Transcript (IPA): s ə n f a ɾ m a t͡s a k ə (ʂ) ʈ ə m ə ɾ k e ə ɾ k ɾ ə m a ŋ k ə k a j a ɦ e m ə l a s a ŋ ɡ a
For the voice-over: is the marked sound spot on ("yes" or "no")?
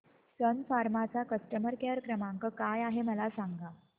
no